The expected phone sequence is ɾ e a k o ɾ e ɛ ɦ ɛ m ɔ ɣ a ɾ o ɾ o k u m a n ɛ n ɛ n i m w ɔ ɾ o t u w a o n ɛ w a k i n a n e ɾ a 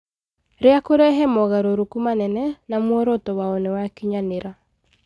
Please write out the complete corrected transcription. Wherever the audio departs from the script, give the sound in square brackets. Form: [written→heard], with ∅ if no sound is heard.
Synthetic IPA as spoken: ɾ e a k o ɾ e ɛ ɦ ɛ m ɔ ɣ a ɾ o ɾ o k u m a n ɛ n ɛ n [i→a] m w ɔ ɾ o t [u→ɔ] w a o n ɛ w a k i [n→ɲ] a n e ɾ a